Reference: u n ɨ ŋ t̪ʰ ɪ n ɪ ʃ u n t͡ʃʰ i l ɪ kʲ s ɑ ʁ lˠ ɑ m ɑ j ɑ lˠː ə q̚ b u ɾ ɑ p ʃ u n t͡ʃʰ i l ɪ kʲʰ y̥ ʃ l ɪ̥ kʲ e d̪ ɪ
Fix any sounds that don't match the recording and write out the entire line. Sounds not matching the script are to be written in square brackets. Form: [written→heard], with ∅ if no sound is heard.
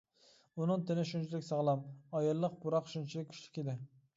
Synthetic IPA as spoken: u n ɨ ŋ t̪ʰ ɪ n ɪ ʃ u n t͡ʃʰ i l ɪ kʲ s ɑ ʁ lˠ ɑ m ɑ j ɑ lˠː ə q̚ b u ɾ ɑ [p→q] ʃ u n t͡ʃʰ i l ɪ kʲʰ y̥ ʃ l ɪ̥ kʲ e d̪ ɪ